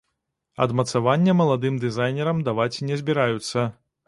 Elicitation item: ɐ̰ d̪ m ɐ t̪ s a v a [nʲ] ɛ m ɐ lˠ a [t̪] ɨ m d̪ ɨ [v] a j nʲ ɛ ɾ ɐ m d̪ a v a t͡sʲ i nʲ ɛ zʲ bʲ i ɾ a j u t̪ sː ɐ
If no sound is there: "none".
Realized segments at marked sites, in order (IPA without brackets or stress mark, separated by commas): nʲː, d̪, z